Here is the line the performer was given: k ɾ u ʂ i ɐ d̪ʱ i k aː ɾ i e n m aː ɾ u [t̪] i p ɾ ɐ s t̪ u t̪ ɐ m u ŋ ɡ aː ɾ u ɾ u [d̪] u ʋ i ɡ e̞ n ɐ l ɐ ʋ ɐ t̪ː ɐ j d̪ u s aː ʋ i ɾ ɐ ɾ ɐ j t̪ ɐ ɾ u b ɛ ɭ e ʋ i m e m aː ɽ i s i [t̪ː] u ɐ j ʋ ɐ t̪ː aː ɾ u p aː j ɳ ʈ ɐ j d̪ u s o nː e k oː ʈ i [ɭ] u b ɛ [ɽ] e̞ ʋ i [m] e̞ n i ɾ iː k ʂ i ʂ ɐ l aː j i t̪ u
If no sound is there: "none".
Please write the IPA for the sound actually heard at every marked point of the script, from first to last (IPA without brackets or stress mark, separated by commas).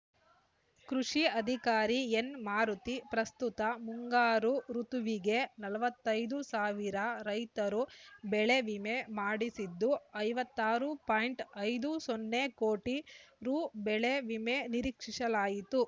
t̪, t̪, d̪ː, ɾ, ɭ, m